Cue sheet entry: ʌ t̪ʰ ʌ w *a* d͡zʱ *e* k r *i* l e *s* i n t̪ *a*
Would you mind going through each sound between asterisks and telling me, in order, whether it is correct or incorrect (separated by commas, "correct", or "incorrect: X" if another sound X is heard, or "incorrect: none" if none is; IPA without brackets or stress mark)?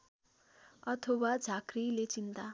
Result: correct, incorrect: a, correct, incorrect: t͡s, correct